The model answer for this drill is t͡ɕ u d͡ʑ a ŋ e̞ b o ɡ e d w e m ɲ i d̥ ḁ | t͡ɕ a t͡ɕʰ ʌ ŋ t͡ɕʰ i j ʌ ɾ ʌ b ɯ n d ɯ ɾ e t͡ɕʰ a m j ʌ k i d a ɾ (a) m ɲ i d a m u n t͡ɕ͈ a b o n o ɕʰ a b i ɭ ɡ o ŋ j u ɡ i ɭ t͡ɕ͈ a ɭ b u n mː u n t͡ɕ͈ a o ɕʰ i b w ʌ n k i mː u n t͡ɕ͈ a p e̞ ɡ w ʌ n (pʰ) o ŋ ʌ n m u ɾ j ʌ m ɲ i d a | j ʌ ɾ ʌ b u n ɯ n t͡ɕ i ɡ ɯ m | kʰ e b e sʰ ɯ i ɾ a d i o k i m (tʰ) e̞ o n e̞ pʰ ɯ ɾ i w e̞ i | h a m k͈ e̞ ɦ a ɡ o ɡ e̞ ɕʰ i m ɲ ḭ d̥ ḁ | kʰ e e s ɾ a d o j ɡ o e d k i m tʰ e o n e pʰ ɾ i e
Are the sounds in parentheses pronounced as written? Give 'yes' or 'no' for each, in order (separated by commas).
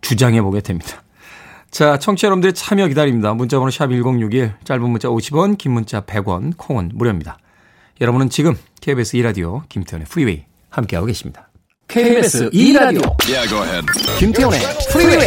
no, no, yes